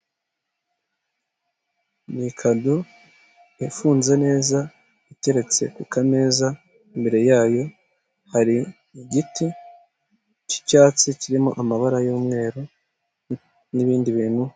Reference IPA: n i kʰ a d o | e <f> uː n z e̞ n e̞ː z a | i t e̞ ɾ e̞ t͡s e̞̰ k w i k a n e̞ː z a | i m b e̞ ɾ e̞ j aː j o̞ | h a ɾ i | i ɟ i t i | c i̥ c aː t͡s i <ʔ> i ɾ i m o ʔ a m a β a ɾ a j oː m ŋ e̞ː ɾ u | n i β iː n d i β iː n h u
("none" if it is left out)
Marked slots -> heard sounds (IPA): f, c

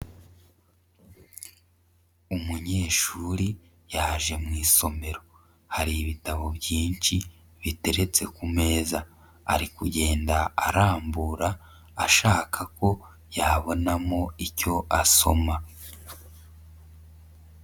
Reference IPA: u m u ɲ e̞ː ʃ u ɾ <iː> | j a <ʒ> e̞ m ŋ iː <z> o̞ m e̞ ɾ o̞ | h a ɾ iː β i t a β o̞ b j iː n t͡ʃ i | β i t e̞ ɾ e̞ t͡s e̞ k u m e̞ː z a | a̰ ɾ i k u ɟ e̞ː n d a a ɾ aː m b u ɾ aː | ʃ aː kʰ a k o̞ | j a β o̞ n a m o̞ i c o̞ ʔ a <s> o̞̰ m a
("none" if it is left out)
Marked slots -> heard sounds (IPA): i, ʒ, s, s

